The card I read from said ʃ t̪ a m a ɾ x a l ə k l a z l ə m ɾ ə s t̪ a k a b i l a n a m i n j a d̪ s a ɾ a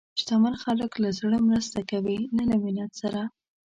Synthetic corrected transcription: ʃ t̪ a m a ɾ x a l ə k l a z ɽ ə m ɾ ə s t̪ a k a w i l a n a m i n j a t̪ s a ɾ a